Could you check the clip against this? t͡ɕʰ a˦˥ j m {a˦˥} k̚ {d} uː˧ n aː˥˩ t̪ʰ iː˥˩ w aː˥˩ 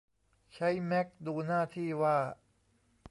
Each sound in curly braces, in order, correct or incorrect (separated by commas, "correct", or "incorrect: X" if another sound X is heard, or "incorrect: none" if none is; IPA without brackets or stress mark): incorrect: ɛ˦˥, correct